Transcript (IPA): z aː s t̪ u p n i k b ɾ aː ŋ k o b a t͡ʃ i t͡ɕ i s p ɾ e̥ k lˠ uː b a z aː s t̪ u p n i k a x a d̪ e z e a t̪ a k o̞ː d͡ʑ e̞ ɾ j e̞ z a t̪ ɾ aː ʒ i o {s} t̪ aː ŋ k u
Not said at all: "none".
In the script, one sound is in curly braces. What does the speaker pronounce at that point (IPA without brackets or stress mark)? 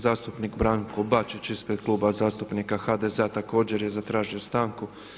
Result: s